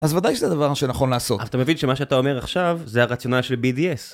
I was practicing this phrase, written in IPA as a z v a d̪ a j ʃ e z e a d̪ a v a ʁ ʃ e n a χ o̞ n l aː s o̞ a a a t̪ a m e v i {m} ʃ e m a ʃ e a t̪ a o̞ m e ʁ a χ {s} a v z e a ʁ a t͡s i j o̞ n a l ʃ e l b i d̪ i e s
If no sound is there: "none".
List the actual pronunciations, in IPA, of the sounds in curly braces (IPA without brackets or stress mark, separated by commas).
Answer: n, ʃ